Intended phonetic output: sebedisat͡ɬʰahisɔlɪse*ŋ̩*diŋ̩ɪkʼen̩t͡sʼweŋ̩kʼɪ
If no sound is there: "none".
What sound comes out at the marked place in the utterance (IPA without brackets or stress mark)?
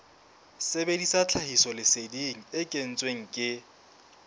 none